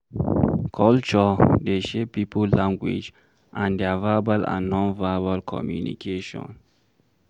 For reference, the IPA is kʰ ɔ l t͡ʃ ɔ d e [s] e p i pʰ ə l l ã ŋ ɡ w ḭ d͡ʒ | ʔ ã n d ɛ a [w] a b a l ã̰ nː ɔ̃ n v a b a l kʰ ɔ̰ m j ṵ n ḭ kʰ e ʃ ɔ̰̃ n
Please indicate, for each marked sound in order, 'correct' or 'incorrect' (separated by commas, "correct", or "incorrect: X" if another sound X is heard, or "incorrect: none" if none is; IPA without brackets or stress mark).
incorrect: ʃ, incorrect: v